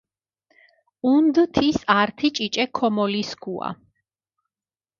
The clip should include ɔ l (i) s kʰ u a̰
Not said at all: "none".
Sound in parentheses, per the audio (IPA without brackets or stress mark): i